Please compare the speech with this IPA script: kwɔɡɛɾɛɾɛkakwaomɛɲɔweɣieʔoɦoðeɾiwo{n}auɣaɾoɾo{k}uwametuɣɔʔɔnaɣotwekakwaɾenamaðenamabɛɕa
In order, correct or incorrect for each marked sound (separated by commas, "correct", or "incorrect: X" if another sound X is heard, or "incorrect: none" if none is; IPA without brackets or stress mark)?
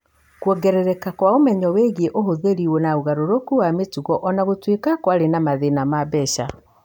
correct, correct